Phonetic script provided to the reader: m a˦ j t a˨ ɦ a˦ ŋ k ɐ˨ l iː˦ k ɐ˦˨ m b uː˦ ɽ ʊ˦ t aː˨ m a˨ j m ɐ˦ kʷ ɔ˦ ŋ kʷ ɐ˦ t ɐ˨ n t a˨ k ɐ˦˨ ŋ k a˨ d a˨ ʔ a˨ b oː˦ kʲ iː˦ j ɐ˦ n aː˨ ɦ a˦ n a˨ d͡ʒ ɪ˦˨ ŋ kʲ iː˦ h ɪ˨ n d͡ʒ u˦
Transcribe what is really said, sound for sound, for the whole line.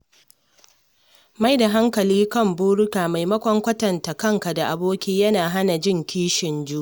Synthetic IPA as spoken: m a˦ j d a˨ ɦ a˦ ŋ k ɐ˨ l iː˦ k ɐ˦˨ m b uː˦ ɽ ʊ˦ k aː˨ m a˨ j m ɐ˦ kʷ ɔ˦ ŋ kʷ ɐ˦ t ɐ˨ n t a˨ k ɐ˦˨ ŋ k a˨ d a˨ ʔ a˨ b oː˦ kʲ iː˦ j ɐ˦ n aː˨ ɦ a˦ n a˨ d͡ʒ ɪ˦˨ ŋ kʲ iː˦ ʃ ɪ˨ n d͡ʒ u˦

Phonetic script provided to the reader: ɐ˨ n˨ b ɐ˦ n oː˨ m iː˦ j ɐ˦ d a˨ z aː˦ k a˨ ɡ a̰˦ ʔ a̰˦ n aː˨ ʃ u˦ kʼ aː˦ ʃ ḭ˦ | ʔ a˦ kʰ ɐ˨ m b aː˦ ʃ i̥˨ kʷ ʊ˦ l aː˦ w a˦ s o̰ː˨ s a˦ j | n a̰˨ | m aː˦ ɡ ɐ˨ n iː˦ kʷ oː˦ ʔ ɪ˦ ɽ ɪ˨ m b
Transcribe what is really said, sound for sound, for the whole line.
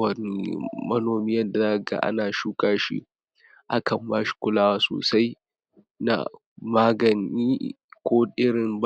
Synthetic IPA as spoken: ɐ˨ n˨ m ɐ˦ n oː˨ m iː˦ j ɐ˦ d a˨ z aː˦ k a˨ ɡ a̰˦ ʔ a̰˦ n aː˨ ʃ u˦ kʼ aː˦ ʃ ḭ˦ | ʔ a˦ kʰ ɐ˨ m b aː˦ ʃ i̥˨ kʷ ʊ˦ l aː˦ w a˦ s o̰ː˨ s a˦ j | n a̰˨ | m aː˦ ɡ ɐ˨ n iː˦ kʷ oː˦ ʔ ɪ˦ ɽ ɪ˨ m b

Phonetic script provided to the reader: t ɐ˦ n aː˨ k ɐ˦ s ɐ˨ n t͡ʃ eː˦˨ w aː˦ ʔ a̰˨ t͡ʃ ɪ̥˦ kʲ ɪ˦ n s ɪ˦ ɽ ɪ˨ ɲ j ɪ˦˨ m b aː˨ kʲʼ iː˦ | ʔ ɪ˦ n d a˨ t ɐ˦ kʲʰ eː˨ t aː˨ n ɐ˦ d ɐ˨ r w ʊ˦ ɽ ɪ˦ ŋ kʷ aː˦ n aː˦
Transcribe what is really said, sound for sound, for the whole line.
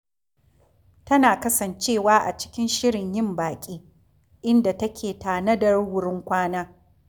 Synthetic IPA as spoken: t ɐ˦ n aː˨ k ɐ˦ s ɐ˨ n t͡ʃ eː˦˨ w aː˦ ʔ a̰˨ t͡ʃ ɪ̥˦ kʲ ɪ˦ n ʃ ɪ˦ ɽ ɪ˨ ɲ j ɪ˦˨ m b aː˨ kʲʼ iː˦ | ʔ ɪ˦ n d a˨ t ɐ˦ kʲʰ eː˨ t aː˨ n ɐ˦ d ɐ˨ r w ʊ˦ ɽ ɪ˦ ŋ kʷ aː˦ n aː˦

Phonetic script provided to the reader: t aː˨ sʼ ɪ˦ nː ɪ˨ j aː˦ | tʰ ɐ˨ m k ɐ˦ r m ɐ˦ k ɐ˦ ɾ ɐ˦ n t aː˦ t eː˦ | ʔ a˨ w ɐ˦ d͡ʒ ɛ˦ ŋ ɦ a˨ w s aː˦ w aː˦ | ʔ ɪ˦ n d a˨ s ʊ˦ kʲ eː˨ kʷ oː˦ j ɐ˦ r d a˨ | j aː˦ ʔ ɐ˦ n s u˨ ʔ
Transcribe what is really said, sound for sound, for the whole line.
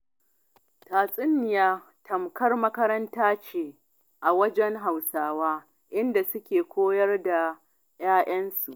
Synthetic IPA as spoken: t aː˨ sʼ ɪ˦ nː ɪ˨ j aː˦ | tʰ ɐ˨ m k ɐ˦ r m ɐ˦ k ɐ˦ ɾ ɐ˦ n t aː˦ t͡ʃ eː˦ | ʔ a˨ w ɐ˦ d͡ʒ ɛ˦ ŋ ɦ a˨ w s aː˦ w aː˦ | ʔ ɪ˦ n d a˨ s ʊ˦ kʲ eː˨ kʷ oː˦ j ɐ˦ r d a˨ | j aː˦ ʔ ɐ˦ n s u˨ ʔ

